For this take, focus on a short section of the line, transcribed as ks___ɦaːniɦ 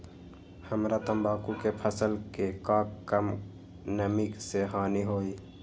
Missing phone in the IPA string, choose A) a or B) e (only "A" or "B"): B